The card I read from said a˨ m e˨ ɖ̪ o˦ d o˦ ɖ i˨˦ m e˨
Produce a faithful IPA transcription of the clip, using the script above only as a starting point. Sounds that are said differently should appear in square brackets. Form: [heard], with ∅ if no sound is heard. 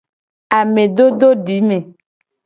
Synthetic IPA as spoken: a˨ m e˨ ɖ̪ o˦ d o˦ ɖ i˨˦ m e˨